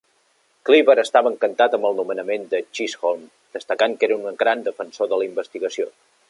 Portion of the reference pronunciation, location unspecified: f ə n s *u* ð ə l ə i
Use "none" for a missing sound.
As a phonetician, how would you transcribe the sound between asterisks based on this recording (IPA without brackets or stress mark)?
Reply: o